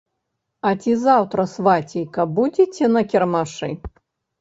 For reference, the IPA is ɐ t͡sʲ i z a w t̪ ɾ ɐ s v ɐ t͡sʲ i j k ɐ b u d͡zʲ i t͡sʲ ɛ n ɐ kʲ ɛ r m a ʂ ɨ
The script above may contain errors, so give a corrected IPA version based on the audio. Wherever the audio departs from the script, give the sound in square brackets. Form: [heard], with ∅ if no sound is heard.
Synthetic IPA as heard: ɐ t͡sʲ i z a w t̪ ɾ ɐ s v [a] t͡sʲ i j k ɐ b u d͡zʲ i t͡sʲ ɛ n ɐ kʲ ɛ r m a ʂ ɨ

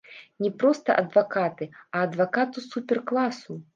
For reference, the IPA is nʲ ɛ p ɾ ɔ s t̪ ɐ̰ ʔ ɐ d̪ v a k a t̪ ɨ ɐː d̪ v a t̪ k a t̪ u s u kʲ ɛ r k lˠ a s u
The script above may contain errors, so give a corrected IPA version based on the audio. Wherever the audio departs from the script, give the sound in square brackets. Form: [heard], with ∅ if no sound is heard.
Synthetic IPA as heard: nʲ ɛ p ɾ ɔ s t̪ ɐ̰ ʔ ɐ d̪ v a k a t̪ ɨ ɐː d̪ v a [∅] k a t̪ u s u [pʲ] ɛ r k lˠ a s u

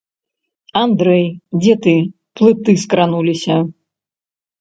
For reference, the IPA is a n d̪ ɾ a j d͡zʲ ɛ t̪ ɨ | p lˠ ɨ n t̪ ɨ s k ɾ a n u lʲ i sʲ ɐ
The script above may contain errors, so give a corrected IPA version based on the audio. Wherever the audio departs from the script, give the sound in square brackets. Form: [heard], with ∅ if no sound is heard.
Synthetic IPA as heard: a n d̪ ɾ [ɛ] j d͡zʲ ɛ t̪ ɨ | p lˠ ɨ [∅] t̪ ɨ s k ɾ a n u lʲ i sʲ ɐ

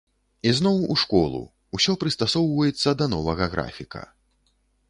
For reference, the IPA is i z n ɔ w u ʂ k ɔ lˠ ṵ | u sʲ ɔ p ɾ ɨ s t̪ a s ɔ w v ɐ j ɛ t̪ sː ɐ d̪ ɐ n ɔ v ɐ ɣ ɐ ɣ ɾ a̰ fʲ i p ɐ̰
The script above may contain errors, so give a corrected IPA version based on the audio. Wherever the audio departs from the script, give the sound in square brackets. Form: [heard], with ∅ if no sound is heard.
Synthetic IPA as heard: i z n ɔ w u ʂ k ɔ lˠ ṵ | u sʲ ɔ p ɾ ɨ s t̪ a s ɔ w v ɐ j ɛ t̪ sː ɐ d̪ ɐ n ɔ v ɐ ɣ ɐ ɣ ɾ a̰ fʲ i [k] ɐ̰

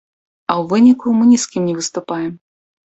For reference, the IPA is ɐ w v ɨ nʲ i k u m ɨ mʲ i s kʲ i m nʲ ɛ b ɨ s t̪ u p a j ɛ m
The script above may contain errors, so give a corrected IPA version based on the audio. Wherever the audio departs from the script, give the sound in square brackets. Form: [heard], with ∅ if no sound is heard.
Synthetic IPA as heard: ɐ w v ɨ nʲ i k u m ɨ [nʲ] i s kʲ i m nʲ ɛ [v] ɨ s t̪ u p a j ɛ m

